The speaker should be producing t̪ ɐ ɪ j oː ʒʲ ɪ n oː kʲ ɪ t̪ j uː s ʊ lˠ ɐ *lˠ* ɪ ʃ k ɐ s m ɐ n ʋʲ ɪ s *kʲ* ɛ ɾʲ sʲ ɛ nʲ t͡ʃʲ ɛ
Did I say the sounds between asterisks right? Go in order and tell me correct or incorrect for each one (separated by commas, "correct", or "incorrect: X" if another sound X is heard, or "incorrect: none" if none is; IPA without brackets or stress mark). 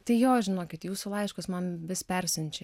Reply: incorrect: none, incorrect: pʲ